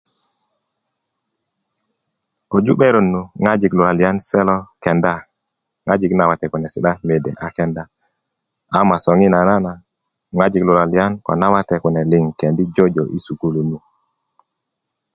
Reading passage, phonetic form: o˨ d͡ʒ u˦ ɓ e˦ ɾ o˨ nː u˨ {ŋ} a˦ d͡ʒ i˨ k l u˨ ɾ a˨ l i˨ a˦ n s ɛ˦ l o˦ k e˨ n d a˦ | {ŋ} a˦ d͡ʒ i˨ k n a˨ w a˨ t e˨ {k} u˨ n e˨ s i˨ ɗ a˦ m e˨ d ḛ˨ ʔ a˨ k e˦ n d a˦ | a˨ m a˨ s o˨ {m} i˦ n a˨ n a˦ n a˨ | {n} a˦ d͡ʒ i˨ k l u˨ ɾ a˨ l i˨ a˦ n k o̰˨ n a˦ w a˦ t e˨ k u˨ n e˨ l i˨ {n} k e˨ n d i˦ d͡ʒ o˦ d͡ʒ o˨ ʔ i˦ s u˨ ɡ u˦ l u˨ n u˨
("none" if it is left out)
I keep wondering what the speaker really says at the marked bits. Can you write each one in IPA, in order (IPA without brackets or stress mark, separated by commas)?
ŋ, ŋ, k, ŋ, ŋ, ŋ